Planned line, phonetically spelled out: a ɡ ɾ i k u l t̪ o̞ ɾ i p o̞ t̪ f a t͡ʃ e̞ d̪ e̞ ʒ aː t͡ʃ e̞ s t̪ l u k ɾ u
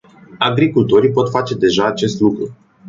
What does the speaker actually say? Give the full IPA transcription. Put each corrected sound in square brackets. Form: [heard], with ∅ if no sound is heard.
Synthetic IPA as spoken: a ɡ ɾ i k u l t̪ o̞ ɾ i p o̞ t̪ f a t͡ʃ e̞ d̪ e̞ ʒ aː t͡ʃ e̞ s t̪ l u k ɾ u